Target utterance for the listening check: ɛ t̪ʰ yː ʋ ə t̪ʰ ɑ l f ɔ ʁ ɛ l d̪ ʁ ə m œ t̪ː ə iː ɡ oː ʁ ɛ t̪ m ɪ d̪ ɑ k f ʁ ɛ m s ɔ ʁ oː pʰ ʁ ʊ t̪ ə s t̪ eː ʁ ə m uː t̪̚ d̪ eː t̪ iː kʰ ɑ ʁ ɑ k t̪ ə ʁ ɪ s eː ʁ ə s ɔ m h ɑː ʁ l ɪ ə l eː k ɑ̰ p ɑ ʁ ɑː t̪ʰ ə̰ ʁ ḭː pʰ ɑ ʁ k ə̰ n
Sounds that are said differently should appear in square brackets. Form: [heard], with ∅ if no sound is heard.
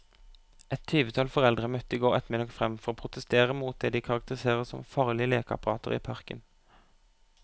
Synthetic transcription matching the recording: ɛ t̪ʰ yː ʋ ə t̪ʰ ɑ l f ɔ ʁ ɛ l d̪ ʁ ə m œ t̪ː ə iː ɡ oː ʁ ɛ t̪ m ɪ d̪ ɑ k f ʁ ɛ m [f] ɔ ʁ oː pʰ ʁ ʊ t̪ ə s t̪ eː ʁ ə m uː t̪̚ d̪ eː [d̪] iː kʰ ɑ ʁ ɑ k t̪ ə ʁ ɪ s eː ʁ ə s ɔ m [f] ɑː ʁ l ɪ ə l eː k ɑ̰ p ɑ ʁ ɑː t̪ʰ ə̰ ʁ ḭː pʰ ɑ ʁ k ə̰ n